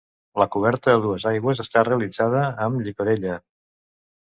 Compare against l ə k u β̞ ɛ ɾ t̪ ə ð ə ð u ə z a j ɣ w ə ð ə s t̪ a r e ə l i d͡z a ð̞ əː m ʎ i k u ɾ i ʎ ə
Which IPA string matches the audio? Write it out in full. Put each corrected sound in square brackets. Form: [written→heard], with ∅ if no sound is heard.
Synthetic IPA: l ə k u β̞ ɛ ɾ t̪ ə ð ə ð u ə z a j ɣ w ə [ð→z] ə s t̪ a r e ə l i d͡z a ð̞ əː m ʎ i k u ɾ [i→e] ʎ ə